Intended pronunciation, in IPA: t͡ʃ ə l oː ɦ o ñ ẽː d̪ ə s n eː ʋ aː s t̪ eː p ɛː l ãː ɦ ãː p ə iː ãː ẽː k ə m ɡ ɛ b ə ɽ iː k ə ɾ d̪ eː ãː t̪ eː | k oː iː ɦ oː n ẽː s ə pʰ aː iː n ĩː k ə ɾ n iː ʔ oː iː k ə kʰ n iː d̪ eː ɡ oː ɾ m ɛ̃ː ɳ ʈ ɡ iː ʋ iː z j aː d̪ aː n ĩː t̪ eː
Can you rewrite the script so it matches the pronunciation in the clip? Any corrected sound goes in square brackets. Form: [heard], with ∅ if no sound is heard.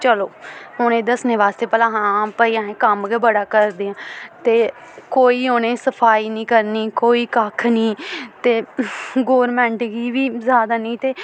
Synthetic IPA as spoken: t͡ʃ ə l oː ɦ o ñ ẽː d̪ ə s n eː ʋ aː s t̪ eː p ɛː l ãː ɦ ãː p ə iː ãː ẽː k ə m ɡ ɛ b ə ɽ [aː] k ə ɾ d̪ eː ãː t̪ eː | k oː iː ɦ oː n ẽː s ə pʰ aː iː n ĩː k ə ɾ n iː [k] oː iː k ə kʰ n iː [t̪] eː ɡ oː ɾ m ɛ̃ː ɳ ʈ ɡ iː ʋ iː z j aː d̪ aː n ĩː t̪ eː